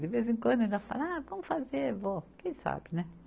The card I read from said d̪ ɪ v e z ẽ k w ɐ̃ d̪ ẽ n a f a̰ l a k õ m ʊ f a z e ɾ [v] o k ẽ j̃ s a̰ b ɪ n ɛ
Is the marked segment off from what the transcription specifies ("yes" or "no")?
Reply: no